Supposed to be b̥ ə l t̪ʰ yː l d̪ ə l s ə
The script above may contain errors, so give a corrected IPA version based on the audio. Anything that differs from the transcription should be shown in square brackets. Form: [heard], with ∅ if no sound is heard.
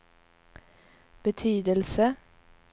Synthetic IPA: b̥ ə [∅] t̪ʰ yː [∅] d̪ ə l s ə